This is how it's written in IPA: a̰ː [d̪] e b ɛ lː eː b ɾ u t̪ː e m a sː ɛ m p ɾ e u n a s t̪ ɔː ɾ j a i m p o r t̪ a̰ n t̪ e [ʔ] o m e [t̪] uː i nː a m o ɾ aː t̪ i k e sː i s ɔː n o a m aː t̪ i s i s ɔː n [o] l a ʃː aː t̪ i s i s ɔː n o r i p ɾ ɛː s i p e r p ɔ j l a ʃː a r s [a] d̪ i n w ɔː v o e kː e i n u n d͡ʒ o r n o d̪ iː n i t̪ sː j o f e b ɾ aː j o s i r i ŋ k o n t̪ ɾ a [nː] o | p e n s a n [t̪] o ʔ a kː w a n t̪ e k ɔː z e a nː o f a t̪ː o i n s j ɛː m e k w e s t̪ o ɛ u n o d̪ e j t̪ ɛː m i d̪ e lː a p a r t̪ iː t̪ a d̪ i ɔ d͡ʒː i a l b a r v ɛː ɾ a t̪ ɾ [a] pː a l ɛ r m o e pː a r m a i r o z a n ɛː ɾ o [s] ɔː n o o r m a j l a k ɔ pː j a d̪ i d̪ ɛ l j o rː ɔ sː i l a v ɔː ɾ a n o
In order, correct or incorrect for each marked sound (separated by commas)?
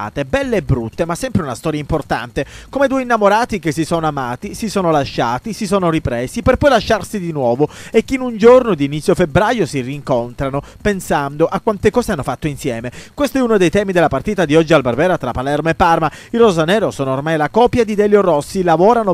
incorrect, incorrect, incorrect, correct, incorrect, incorrect, incorrect, correct, correct